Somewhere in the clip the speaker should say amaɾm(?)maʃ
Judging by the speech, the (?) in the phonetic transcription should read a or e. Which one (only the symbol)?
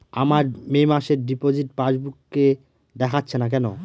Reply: e